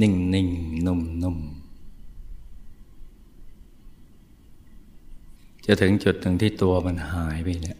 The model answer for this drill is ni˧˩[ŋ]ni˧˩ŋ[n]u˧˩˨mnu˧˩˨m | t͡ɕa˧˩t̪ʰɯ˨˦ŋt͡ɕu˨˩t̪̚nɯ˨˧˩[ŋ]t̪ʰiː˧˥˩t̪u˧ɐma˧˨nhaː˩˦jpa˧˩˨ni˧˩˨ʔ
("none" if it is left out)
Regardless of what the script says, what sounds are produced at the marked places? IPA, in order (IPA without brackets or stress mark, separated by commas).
ŋ, n, ŋ